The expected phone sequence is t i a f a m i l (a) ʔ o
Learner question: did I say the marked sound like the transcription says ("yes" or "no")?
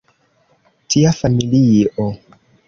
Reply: no